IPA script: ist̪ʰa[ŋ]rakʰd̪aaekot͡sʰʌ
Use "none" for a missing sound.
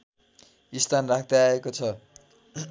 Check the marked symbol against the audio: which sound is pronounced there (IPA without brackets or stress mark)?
n